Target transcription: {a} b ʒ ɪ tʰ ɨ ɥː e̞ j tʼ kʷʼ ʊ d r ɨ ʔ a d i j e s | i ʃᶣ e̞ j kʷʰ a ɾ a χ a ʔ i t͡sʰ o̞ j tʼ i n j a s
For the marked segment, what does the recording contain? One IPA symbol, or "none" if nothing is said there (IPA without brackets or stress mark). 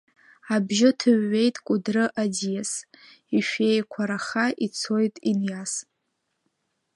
a